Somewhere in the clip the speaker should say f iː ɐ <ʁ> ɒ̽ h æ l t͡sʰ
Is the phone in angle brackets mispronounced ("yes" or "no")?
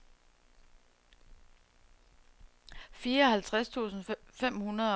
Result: yes